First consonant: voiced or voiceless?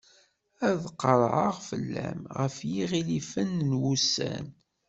voiced